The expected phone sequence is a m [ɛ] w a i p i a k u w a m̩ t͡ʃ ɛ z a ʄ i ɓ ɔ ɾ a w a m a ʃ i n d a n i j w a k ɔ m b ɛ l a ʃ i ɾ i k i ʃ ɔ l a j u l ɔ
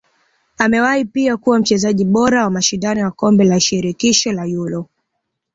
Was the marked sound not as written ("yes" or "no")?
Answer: no